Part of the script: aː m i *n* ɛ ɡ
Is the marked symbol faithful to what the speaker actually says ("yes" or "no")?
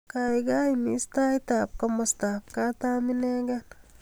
yes